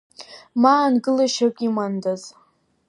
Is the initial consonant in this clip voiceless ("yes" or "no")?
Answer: no